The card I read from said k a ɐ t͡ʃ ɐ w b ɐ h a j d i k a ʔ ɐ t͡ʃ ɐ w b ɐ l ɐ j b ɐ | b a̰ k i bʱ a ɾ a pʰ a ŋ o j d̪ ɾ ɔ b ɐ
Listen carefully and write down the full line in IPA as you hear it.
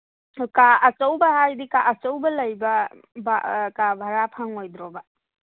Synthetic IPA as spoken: k a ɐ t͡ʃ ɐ w b ɐ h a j d i k a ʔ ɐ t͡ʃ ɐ w b ɐ l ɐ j b ɐ | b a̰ k a bʱ a ɾ a pʰ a ŋ o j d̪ ɾ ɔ b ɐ